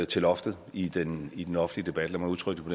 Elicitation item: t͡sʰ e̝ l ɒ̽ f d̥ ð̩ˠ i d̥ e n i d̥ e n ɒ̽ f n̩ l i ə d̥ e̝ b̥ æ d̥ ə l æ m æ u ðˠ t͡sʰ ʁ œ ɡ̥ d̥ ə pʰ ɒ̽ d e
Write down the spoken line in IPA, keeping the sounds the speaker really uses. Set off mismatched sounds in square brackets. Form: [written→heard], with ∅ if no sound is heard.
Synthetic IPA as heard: t͡sʰ e̝ l ɒ̽ f d̥ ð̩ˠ i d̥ e n i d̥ e n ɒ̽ f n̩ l i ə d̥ e̝ b̥ æ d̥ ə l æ m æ u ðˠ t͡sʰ ʁ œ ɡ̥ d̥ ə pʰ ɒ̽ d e